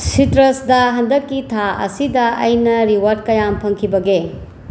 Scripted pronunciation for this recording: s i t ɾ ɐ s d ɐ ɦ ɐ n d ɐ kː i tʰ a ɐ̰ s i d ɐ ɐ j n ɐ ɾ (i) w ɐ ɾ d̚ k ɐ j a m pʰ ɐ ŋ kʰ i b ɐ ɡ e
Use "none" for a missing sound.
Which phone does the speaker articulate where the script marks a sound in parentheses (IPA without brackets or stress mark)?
i